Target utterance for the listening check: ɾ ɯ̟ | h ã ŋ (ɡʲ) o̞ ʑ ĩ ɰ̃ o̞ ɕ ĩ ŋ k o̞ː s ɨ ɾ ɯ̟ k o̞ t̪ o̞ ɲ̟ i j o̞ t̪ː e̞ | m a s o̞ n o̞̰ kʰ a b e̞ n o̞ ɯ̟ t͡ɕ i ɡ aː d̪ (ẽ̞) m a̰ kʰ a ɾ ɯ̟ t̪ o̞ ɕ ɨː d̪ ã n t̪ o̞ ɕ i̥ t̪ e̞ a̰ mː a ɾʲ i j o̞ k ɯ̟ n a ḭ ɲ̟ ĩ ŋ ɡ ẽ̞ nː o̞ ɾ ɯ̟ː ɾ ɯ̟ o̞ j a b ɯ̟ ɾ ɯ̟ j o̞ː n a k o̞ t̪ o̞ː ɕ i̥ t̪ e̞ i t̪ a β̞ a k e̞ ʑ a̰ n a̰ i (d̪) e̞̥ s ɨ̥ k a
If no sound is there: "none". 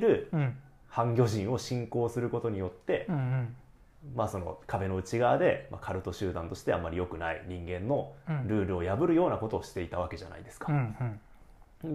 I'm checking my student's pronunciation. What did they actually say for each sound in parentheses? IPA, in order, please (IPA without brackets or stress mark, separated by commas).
ɡʲ, e̞, d̪